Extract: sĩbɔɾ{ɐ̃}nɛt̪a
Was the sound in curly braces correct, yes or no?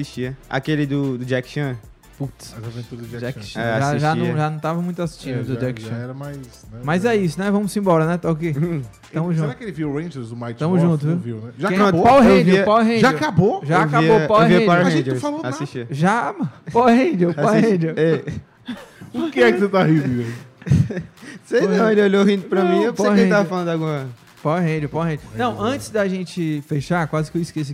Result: no